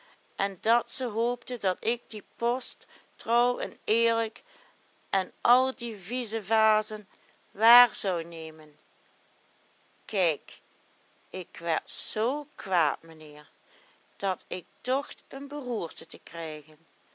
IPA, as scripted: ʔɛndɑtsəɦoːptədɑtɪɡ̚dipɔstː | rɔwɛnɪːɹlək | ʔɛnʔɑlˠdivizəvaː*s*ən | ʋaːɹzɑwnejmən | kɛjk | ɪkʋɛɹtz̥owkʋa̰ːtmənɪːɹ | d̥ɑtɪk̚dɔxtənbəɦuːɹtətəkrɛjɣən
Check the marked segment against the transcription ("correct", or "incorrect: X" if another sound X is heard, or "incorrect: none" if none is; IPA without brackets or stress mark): incorrect: z